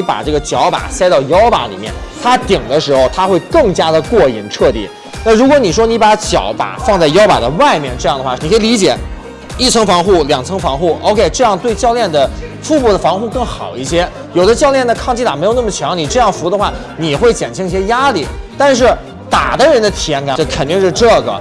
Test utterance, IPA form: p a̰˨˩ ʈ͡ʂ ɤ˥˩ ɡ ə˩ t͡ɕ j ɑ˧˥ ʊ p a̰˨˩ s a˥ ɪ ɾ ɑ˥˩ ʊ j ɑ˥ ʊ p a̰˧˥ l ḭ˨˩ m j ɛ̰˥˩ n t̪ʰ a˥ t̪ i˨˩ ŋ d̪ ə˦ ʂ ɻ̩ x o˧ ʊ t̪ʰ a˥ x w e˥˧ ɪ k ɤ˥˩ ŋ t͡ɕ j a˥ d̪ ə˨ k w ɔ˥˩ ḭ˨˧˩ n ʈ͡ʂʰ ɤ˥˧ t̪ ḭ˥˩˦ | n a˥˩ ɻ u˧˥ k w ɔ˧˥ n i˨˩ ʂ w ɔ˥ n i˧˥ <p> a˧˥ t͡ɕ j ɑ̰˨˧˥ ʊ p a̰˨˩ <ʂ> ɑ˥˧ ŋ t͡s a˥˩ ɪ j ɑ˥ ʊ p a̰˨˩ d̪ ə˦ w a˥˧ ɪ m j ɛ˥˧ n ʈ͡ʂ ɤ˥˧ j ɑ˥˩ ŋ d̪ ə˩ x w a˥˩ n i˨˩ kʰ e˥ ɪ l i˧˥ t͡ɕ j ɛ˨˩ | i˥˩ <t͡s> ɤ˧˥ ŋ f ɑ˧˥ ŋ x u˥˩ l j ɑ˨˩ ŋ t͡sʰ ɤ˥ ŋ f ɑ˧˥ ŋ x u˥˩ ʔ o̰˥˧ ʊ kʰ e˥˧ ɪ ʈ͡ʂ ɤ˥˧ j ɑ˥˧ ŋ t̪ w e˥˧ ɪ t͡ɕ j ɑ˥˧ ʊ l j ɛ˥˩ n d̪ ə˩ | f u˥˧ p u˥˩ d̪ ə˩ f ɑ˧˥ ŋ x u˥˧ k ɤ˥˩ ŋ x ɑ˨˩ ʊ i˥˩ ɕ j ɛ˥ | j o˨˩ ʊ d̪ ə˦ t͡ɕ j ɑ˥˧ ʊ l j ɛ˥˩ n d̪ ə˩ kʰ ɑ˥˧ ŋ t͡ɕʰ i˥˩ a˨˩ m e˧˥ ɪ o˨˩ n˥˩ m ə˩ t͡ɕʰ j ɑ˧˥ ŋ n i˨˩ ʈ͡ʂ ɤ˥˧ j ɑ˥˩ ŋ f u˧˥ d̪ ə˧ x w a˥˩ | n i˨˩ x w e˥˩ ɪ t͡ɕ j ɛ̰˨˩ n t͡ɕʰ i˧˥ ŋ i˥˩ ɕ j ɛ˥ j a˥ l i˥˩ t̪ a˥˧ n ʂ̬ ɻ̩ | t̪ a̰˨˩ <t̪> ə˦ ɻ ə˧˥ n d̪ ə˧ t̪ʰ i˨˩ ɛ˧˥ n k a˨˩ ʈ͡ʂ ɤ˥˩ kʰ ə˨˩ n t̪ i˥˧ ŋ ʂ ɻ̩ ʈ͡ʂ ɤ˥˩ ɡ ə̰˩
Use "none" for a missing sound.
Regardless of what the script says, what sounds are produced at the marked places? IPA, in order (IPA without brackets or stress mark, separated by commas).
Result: p, f, t͡sʰ, d̪